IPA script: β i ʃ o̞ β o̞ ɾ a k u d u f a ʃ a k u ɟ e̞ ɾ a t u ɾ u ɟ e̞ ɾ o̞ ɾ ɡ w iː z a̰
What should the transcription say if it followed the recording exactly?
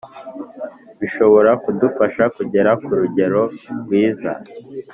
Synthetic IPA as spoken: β i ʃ o̞ β o̞ ɾ a k u d u f a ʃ a k u ɟ e̞ ɾ a k u ɾ u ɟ e̞ ɾ o̞ ɾ ɡ w iː z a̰